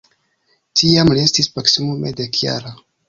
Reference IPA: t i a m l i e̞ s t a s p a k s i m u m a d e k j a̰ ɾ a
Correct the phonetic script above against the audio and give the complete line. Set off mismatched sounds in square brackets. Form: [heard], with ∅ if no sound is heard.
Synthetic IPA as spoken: t i a m l i e̞ s t [i] s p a k s i m u m [e] d e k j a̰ ɾ a